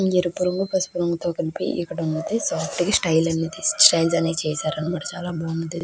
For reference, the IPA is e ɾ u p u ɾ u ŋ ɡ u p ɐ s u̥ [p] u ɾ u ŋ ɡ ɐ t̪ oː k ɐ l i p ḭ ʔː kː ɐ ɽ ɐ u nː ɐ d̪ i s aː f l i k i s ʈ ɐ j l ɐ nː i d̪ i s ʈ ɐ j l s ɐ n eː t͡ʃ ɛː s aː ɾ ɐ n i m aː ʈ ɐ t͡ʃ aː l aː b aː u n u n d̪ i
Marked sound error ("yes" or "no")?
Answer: no